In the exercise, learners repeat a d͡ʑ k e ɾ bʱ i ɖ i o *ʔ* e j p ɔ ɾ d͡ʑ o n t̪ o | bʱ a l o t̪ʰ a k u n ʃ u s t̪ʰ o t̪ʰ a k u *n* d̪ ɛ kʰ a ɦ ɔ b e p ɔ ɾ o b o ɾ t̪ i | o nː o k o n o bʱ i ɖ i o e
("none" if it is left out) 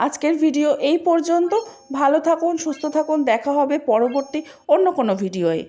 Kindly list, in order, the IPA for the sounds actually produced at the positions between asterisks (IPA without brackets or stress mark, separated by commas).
ʔ, n